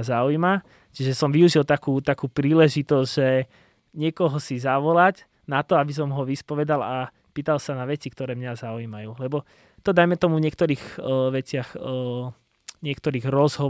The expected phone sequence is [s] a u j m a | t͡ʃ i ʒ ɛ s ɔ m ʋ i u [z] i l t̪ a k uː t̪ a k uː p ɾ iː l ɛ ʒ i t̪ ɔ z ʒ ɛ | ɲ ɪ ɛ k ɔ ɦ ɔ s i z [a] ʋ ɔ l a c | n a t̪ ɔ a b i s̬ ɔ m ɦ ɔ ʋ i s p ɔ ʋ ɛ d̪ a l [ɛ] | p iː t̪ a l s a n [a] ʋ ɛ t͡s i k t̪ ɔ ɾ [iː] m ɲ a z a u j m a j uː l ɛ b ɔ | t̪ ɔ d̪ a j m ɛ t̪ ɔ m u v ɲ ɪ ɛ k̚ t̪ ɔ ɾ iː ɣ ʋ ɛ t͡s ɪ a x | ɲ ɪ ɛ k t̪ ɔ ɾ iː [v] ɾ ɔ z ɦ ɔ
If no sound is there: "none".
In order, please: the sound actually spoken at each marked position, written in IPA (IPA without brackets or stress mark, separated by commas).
z, ʒ, a, a, a, ɛː, ɣ